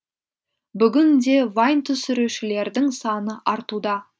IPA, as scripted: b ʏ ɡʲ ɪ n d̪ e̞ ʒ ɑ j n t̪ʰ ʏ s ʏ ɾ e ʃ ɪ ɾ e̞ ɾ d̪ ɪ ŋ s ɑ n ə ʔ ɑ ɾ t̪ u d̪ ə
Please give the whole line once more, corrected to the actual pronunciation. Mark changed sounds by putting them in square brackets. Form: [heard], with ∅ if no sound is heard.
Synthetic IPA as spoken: b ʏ ɡʲ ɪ n d̪ e̞ [v] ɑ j n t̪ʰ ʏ s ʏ ɾ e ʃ ɪ [l] e̞ ɾ d̪ ɪ ŋ s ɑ n ə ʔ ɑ ɾ t̪ u d̪ [ɑ]